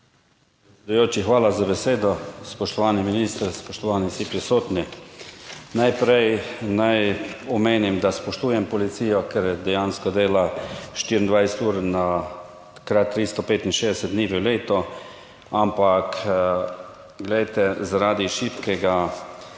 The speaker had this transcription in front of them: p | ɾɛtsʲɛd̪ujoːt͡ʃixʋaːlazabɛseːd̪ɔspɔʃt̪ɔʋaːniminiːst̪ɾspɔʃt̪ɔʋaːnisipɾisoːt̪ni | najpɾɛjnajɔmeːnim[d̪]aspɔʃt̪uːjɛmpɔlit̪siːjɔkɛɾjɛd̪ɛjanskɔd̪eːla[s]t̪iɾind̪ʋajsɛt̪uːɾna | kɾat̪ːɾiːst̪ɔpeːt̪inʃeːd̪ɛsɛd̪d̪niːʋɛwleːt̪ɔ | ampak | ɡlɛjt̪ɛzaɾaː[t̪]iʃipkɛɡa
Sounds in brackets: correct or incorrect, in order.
correct, incorrect: ʃ, incorrect: d̪

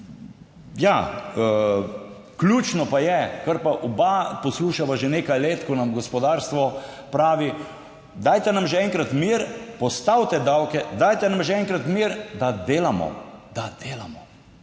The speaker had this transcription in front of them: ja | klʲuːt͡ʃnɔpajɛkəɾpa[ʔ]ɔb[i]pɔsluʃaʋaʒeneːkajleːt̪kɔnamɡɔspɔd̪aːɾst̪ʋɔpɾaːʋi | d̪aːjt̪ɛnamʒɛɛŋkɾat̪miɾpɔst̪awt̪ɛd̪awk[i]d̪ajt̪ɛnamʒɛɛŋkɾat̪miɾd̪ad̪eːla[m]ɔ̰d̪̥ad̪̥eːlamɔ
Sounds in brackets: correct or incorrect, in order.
correct, incorrect: a, incorrect: ɛ, correct

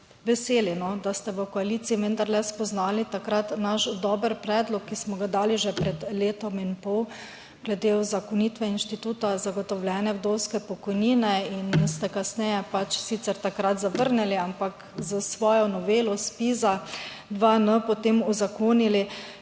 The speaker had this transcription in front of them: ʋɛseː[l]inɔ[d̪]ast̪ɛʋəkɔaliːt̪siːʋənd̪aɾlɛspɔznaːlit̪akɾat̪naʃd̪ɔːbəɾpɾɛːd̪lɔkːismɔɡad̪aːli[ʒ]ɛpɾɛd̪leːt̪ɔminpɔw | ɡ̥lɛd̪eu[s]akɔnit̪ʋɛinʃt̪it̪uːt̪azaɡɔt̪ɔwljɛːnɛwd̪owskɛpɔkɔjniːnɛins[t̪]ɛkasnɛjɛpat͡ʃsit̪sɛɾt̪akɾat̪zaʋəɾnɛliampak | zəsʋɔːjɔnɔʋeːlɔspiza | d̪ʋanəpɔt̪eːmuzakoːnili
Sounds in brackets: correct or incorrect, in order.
correct, correct, correct, incorrect: z, correct

